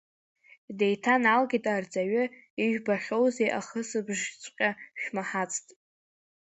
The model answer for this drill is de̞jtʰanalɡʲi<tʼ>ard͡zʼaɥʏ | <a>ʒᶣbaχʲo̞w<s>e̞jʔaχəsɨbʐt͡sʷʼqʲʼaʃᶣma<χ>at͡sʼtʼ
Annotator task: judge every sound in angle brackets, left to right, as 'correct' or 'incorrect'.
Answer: correct, incorrect, incorrect, incorrect

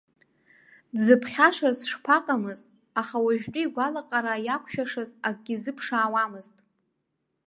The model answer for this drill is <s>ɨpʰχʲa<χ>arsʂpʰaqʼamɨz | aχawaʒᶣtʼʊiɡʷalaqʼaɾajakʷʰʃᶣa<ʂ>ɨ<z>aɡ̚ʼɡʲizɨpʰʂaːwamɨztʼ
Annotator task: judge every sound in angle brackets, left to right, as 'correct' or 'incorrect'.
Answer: incorrect, incorrect, correct, correct

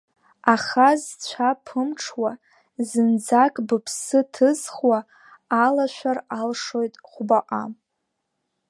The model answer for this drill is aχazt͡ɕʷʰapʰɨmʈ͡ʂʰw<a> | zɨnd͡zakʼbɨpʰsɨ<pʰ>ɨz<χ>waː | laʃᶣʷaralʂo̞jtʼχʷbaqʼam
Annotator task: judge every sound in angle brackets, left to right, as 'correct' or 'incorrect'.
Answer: correct, incorrect, correct

